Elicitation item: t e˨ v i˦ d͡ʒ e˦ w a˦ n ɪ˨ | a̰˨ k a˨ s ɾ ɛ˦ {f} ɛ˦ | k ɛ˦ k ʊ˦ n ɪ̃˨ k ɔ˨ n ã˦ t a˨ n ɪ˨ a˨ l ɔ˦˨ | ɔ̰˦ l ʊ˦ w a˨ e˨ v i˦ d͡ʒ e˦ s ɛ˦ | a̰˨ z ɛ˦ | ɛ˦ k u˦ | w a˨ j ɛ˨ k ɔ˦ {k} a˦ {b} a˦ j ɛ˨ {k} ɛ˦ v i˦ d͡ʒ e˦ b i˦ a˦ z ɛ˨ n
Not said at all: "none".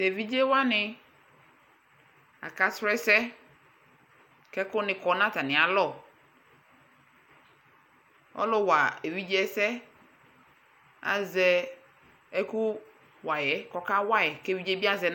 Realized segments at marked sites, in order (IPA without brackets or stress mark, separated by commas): s, k, w, k